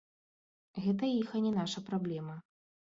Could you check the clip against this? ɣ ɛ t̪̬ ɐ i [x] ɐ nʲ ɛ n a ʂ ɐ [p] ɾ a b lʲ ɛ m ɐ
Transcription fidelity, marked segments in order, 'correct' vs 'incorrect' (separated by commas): correct, correct